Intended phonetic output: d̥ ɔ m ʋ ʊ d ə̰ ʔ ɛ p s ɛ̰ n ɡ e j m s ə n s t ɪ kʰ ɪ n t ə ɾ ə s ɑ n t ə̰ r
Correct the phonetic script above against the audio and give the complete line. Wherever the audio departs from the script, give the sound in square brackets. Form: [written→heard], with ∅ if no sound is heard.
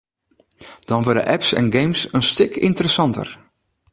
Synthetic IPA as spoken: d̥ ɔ [m→n] ʋ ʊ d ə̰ ʔ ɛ p s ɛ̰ n ɡ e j m s ə n s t ɪ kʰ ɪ n t ə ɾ ə s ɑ n t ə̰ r